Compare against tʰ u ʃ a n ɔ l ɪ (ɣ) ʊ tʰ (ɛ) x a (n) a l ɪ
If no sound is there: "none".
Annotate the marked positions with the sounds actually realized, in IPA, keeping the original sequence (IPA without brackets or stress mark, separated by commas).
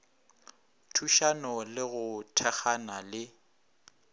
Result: ɣ, ɛ, n